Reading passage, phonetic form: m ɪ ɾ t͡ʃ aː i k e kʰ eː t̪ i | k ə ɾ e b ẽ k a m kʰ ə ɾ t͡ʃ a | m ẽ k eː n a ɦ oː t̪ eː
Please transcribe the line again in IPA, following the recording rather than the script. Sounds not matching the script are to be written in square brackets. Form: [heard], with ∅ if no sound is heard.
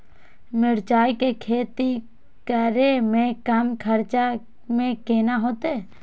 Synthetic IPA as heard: m ɪ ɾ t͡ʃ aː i k e kʰ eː t̪ i | k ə ɾ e [m] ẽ k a m kʰ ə ɾ t͡ʃ a | m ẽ k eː n a ɦ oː t̪ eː